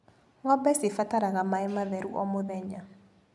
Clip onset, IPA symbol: ŋ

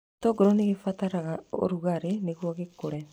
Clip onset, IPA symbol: t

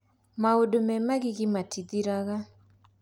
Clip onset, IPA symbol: m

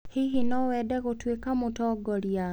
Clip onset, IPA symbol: h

